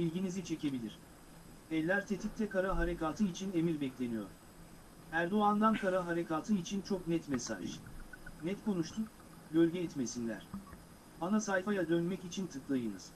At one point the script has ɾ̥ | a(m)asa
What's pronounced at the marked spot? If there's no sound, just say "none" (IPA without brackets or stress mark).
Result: n